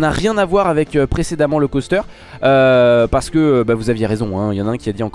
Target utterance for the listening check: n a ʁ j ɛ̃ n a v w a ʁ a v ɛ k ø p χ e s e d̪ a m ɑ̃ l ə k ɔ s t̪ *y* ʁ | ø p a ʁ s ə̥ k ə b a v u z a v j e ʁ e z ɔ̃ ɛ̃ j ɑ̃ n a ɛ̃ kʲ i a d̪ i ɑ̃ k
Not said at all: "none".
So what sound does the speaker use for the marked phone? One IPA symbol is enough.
œ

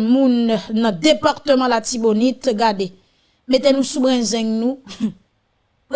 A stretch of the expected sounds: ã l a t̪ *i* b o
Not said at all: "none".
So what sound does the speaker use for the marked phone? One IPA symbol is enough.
i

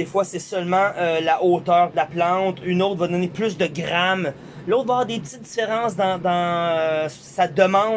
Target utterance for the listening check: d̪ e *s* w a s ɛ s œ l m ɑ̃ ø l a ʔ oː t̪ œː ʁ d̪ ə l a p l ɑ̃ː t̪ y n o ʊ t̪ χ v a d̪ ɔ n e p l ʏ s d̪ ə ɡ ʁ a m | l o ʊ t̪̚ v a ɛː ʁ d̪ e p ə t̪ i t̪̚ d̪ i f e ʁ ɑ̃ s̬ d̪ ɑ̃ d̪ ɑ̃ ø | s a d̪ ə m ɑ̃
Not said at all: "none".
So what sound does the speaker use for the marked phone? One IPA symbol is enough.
f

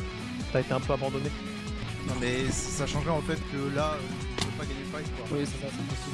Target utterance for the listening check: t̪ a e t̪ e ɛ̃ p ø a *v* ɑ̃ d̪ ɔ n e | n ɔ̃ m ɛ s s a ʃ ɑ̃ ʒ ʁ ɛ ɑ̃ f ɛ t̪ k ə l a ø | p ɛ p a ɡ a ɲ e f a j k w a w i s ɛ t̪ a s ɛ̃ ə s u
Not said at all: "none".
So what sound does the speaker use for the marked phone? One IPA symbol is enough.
b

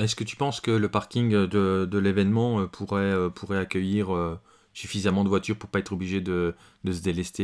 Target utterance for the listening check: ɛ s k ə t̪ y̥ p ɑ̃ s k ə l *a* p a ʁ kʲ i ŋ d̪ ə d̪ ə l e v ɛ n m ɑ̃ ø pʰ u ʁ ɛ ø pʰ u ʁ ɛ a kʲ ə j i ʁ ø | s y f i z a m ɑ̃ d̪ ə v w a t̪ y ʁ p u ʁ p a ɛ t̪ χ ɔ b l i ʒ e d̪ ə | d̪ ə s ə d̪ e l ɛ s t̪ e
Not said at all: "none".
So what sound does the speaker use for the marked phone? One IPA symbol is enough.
ə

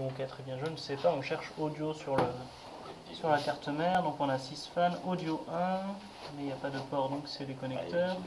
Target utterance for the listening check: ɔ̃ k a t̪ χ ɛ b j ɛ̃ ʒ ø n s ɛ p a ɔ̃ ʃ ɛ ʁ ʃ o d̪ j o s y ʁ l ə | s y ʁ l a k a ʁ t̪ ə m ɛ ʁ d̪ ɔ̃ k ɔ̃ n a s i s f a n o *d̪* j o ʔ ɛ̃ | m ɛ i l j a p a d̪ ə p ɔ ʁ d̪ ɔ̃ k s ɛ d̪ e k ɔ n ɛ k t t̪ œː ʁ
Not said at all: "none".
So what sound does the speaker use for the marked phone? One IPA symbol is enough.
d̪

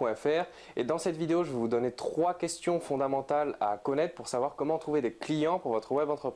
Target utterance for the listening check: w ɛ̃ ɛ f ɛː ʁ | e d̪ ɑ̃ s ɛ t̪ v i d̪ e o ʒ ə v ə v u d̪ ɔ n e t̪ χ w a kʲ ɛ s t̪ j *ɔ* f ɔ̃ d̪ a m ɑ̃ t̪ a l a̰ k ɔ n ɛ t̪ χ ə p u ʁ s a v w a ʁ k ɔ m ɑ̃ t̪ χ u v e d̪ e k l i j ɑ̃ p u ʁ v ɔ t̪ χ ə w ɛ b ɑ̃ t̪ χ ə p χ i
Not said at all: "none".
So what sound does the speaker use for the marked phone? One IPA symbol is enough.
ɔ̃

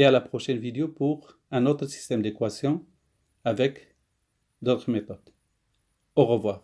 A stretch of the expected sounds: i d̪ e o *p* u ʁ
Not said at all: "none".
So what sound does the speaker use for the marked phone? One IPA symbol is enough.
p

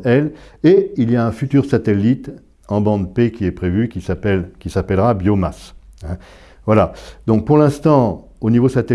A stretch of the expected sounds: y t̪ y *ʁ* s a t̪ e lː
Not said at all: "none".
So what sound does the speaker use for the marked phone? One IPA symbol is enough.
ʁ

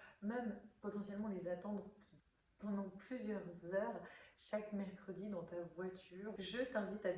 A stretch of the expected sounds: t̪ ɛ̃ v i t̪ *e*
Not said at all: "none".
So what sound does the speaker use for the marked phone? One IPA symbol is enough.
a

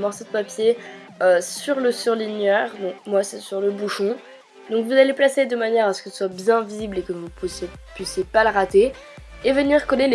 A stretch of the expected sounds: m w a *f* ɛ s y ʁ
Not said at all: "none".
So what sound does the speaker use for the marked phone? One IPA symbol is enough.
s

